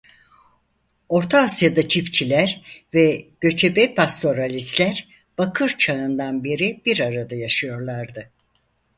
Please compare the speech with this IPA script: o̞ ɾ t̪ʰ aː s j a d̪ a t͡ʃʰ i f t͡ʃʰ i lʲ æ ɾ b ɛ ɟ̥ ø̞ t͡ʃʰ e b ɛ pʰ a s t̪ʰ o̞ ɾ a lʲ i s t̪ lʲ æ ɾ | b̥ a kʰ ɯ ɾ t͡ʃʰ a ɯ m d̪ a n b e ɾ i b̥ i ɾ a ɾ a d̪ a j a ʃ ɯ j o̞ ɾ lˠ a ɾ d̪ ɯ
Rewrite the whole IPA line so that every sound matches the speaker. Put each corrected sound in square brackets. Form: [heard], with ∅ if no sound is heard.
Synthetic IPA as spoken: o̞ ɾ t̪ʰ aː s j a d̪ a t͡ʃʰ i f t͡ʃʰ i lʲ æ ɾ [v] ɛ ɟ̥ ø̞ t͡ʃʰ e b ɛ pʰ a s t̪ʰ o̞ ɾ a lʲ i s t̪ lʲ æ ɾ | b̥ a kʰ ɯ ɾ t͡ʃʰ a ɯ [n] d̪ a n b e ɾ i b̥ i ɾ a ɾ a d̪ a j a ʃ ɯ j o̞ ɾ lˠ a ɾ d̪ ɯ